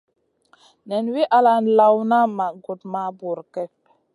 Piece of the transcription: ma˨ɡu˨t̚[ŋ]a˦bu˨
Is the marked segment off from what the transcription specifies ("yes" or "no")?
yes